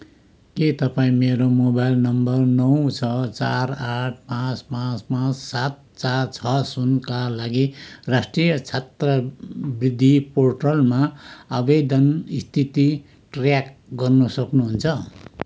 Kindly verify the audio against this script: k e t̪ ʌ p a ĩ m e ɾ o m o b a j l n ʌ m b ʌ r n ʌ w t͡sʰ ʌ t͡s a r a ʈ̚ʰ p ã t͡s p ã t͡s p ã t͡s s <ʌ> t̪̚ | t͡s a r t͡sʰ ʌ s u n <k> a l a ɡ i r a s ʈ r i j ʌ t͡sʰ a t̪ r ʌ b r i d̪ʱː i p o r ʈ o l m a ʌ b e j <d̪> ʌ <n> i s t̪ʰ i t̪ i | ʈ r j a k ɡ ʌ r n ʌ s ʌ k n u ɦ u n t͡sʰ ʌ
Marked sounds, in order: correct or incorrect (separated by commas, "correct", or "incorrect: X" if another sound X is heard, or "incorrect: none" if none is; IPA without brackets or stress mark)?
incorrect: a, correct, correct, correct